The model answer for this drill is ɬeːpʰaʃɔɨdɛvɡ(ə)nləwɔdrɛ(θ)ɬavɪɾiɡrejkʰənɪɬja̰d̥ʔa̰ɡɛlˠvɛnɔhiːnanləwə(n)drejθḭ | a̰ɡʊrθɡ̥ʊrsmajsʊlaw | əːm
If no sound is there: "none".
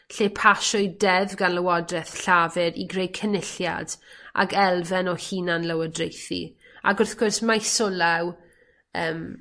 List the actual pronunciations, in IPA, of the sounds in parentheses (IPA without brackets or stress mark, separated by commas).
a, θ, none